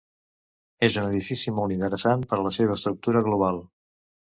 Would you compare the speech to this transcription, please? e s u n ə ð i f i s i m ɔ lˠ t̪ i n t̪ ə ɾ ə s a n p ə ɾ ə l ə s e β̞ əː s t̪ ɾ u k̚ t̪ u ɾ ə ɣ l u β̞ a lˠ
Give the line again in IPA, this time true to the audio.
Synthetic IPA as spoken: e z u n ə ð i f i s i m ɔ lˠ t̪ i n t̪ ə ɾ ə s a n p ə ɾ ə l ə s e β̞ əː s t̪ ɾ u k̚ t̪ u ɾ ə ɣ l u β̞ a lˠ